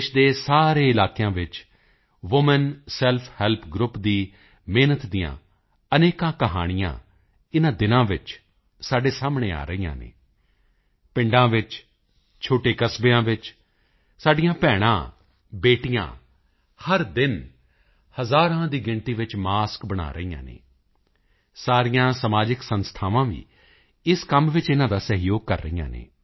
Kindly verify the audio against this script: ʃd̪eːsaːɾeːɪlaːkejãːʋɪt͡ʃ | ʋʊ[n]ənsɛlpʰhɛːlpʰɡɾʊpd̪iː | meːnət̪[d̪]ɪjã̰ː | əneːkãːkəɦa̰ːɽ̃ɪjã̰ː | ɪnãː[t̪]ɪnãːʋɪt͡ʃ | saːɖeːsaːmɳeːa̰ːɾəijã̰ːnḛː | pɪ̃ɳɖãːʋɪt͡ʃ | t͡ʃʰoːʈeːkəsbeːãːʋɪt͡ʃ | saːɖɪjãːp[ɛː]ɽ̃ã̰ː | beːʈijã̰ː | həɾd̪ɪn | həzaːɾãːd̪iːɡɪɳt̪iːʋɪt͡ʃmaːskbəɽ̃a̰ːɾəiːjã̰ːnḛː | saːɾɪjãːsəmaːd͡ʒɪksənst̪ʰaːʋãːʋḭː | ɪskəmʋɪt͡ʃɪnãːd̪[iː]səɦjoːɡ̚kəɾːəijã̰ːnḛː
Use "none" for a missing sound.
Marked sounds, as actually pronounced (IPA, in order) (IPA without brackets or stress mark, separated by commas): m, d̪, d̪, ɛː, aː